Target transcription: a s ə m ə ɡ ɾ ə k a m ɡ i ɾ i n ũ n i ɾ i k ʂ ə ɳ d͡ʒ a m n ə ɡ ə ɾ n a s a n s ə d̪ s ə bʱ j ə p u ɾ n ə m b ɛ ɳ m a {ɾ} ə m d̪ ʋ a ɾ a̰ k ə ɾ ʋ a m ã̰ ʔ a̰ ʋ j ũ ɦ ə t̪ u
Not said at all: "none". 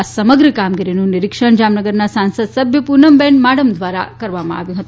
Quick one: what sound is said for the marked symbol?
ɽ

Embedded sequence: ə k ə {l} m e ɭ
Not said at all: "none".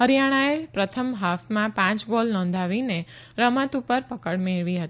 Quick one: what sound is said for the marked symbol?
ɽ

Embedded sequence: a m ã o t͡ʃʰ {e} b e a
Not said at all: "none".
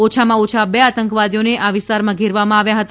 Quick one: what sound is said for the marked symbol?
a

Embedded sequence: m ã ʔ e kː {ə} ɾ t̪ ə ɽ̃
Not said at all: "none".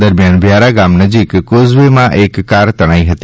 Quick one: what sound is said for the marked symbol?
a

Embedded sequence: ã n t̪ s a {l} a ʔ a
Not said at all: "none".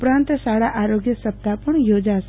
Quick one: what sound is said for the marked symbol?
ɽ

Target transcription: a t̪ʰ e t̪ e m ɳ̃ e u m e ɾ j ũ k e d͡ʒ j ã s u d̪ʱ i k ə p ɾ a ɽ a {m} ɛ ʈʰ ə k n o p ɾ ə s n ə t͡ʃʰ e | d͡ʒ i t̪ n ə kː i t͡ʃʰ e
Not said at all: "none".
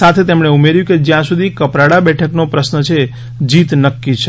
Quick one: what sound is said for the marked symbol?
b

